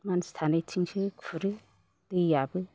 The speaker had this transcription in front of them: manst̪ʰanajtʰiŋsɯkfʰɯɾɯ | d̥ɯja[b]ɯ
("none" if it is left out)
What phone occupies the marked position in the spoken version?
b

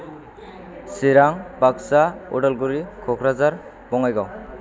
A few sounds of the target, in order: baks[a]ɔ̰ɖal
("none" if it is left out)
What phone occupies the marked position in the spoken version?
a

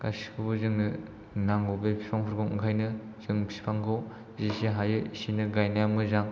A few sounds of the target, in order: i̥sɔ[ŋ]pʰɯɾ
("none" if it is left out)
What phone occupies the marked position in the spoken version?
ŋ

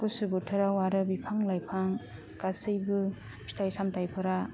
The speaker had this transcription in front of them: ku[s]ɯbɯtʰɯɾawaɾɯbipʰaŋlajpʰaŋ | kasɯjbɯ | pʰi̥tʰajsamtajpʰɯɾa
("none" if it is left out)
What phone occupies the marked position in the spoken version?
s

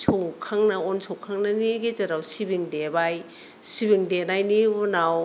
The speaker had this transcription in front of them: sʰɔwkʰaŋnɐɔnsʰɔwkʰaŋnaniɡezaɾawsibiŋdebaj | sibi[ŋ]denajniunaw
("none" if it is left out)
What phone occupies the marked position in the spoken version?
ŋ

